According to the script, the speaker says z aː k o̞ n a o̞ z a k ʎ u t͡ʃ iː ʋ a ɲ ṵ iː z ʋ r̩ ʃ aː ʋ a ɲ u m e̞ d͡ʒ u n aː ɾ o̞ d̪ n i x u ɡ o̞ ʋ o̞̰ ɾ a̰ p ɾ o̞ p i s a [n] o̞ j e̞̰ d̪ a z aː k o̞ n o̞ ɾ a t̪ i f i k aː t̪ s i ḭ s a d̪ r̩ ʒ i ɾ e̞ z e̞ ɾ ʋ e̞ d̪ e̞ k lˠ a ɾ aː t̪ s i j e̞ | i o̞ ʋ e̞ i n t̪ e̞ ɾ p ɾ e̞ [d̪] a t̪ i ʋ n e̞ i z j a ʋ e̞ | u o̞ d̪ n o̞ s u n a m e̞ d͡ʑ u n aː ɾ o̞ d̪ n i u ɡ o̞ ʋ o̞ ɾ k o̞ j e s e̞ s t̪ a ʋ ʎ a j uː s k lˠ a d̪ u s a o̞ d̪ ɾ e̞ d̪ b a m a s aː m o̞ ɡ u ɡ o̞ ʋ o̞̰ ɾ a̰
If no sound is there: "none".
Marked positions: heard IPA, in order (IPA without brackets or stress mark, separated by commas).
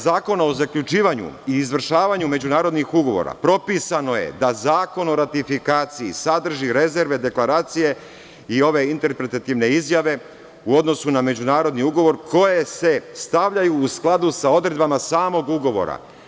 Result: n, t̪